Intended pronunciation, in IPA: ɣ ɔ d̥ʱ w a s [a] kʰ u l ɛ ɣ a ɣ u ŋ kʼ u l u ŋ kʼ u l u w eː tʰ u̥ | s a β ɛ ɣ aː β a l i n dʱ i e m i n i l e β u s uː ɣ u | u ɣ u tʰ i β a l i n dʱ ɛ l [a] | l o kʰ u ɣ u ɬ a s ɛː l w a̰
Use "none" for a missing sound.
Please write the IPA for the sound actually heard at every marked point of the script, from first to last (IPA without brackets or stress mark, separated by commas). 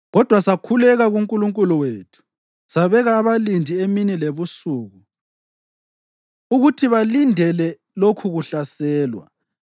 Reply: a, ɛ